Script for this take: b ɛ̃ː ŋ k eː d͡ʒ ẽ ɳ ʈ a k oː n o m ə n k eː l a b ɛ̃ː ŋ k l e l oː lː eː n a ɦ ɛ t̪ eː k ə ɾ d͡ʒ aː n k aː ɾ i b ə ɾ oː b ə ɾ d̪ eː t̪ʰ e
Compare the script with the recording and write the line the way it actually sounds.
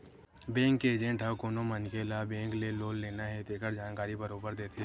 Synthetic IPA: b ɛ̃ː ŋ k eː d͡ʒ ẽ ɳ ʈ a k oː n o m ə n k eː l a b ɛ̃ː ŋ k l e l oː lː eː n a ɦ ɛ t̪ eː k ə ɾ d͡ʒ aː n k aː ɾ i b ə ɾ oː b ə ɾ d̪ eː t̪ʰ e